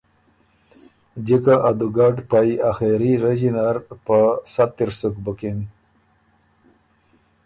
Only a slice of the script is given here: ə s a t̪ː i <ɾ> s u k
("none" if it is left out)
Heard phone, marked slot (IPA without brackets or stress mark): ɾ